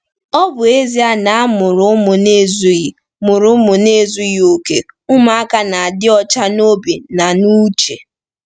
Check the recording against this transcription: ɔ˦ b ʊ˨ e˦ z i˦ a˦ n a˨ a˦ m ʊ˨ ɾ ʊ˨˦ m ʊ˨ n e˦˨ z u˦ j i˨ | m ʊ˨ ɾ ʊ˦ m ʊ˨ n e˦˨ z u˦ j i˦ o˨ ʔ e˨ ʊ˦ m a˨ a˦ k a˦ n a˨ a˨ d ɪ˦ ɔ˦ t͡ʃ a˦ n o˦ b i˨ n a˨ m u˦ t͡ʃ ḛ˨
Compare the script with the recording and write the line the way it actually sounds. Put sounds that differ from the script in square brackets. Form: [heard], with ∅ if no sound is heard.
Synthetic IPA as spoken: ɔ˦ b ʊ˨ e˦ z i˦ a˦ n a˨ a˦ m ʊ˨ ɾ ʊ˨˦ m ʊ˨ n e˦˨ z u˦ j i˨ | m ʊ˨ ɾ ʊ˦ m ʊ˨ n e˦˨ z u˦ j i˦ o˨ [k] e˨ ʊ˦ m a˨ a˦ k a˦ n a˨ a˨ d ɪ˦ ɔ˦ t͡ʃ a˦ n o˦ b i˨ n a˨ [n] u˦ t͡ʃ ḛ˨